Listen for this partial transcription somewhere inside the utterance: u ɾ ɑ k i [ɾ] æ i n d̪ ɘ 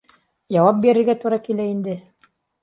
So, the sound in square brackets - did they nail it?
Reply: no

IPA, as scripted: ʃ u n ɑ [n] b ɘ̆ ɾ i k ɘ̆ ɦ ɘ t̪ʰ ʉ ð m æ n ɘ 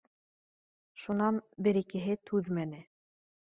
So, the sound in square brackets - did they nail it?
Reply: yes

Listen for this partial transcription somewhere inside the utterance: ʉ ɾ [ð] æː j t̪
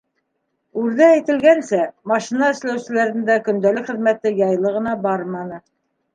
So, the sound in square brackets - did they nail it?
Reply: yes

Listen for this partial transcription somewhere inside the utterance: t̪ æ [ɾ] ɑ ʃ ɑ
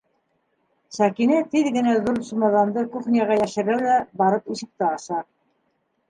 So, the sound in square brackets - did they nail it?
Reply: no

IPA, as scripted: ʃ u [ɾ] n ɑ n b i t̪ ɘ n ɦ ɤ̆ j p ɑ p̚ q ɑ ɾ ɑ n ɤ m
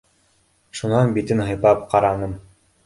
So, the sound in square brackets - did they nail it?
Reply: no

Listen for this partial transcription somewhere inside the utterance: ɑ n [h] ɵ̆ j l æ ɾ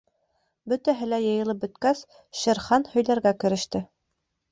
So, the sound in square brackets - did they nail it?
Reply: yes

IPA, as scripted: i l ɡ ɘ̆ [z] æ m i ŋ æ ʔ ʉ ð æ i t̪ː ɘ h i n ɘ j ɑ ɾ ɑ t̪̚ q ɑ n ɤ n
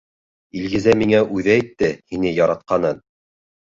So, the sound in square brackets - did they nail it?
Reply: yes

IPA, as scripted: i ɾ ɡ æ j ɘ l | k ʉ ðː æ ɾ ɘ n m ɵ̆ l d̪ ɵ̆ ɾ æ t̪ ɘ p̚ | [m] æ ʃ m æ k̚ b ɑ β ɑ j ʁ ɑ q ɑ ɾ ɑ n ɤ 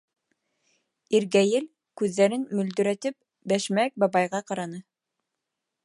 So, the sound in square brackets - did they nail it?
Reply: no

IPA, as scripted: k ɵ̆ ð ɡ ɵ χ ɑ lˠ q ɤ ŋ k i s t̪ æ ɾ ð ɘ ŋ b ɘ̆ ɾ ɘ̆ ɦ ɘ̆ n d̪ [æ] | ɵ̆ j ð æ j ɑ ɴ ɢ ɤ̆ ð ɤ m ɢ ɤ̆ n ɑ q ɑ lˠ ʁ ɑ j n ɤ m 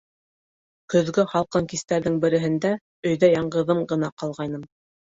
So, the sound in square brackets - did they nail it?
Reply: yes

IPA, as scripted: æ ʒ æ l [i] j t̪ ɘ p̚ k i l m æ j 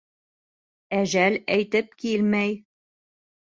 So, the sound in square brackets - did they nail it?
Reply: no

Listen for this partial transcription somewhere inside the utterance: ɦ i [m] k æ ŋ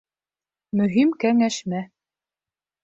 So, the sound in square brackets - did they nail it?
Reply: yes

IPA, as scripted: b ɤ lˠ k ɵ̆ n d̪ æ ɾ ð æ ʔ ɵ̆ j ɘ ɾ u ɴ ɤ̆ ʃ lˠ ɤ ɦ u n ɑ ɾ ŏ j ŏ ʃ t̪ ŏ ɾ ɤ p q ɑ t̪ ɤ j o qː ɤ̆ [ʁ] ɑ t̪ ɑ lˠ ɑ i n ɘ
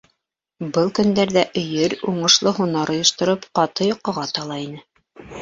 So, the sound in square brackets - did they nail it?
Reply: yes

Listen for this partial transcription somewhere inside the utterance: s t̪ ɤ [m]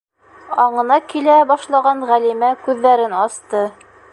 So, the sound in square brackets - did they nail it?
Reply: no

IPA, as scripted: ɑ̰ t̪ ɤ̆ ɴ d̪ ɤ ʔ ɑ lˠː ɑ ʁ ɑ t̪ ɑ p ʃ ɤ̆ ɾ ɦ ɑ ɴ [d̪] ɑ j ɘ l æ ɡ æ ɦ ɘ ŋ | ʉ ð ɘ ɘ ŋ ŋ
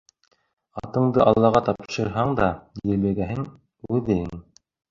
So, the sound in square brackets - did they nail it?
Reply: yes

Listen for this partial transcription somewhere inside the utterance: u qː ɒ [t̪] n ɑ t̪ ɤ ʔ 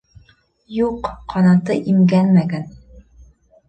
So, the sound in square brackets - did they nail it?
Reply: no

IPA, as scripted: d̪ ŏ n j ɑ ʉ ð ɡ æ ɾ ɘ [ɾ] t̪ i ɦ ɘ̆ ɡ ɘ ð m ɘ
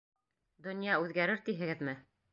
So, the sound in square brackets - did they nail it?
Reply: yes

